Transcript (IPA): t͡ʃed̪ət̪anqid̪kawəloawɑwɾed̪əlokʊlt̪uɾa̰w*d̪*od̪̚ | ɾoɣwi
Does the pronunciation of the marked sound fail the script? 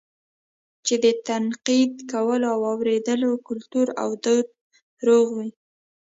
no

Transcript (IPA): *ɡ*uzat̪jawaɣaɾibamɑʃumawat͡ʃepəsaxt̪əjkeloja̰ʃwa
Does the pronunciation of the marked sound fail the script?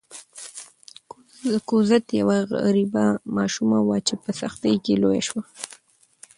yes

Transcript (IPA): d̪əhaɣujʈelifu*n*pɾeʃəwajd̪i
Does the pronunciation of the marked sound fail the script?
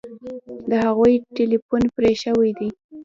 no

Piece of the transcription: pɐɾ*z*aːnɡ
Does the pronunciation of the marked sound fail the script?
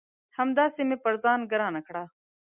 no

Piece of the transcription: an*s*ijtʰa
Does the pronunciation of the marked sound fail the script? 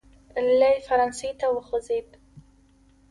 no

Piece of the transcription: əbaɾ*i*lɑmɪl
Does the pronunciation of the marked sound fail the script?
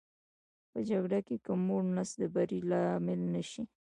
no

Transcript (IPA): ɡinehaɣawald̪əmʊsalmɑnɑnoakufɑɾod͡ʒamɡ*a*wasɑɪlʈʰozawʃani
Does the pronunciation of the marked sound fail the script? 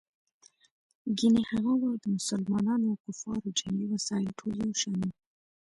yes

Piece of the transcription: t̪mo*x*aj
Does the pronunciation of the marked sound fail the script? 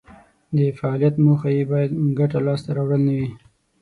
no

